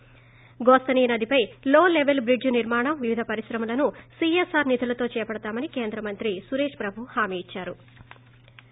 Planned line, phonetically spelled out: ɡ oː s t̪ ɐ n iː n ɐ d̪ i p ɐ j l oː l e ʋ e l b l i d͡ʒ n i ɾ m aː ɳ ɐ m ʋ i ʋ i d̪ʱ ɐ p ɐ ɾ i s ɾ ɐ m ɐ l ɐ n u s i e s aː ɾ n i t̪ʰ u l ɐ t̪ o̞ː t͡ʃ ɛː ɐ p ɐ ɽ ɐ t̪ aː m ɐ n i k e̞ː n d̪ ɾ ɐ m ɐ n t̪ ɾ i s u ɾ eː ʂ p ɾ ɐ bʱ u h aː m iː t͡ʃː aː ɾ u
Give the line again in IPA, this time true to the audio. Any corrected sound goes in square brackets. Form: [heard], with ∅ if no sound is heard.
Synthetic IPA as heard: ɡ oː s t̪ ɐ n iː n ɐ d̪ i p ɐ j l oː l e ʋ e l b [ɾ] i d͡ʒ n i ɾ m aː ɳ ɐ m ʋ i ʋ i d̪ʱ ɐ p ɐ ɾ i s ɾ ɐ m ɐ l ɐ n u s i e s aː ɾ n i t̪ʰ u l ɐ t̪ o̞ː t͡ʃ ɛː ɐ p ɐ ɽ ɐ t̪ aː m ɐ n i k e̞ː n d̪ ɾ ɐ m ɐ n t̪ ɾ i s u ɾ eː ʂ p ɾ ɐ bʱ u h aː m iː t͡ʃː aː ɾ u